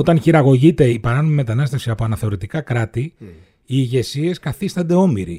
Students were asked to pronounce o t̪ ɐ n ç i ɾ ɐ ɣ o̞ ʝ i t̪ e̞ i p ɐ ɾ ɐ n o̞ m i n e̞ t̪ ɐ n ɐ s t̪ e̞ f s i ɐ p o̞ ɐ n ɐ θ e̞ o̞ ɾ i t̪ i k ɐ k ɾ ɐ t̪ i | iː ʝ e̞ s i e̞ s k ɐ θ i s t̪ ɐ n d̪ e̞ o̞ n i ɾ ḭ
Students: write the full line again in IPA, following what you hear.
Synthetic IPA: o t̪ ɐ n ç i ɾ ɐ ɣ o̞ ʝ i t̪ e̞ i p ɐ ɾ ɐ n o̞ m i m e̞ t̪ ɐ n ɐ s t̪ e̞ f s i ɐ p o̞ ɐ n ɐ θ e̞ o̞ ɾ i t̪ i k ɐ k ɾ ɐ t̪ i | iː ʝ e̞ s i e̞ s k ɐ θ i s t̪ ɐ n d̪ e̞ o̞ m i ɾ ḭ